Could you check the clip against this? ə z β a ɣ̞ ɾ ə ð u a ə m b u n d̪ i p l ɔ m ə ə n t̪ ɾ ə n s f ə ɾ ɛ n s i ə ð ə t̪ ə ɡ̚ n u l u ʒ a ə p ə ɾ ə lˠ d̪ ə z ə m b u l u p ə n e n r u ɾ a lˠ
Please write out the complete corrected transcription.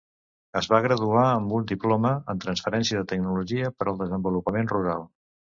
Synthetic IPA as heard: ə z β a ɣ̞ ɾ ə ð u a ə m b u n d̪ i p l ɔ m ə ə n t̪ ɾ ə n s f ə ɾ ɛ n s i ə ð ə t̪ ə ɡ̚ n u l u ʒ i ə p ə ɾ ə lˠ d̪ ə z ə m b u l u p ə m e n r u ɾ a lˠ